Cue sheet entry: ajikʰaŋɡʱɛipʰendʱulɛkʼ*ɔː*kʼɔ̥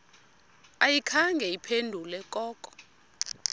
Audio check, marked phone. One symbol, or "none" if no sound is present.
ɔː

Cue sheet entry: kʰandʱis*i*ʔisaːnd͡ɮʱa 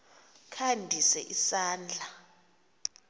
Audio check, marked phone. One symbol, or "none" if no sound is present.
ɛ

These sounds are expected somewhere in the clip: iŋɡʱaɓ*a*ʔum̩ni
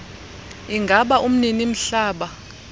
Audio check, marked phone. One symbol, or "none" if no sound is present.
a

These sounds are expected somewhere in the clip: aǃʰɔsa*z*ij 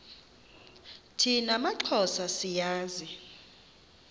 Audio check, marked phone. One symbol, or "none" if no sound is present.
s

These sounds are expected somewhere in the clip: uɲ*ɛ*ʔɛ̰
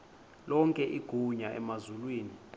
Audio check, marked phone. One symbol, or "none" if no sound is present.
a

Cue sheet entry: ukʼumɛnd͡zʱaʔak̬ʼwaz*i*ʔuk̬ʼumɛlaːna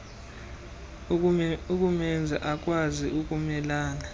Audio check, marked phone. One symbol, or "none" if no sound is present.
i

